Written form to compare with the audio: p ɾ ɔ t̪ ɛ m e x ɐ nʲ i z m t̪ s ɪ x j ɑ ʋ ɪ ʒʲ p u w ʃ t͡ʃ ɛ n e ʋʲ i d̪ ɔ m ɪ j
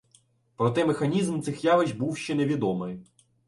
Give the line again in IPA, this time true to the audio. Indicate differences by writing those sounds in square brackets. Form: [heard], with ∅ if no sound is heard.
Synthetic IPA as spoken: p ɾ ɔ t̪ ɛ m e x ɐ nʲ i z m t̪ s ɪ x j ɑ ʋ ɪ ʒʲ [b] u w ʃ t͡ʃ ɛ n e ʋʲ i d̪ ɔ m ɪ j